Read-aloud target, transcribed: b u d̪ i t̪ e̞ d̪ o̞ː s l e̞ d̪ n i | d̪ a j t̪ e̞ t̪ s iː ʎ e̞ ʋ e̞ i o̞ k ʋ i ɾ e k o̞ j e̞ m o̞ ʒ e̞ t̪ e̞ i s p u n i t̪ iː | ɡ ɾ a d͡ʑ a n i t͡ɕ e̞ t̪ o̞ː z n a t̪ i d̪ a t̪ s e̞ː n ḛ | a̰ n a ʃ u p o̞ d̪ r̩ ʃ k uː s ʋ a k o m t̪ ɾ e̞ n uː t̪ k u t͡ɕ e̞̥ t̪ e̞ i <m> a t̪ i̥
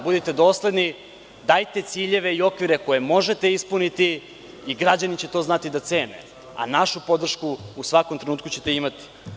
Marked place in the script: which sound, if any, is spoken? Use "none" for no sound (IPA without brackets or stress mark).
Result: m